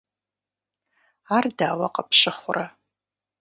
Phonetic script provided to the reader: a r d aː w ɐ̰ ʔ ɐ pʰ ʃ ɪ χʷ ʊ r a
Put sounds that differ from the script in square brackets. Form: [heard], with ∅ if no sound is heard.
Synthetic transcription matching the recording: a r d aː w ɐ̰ [q] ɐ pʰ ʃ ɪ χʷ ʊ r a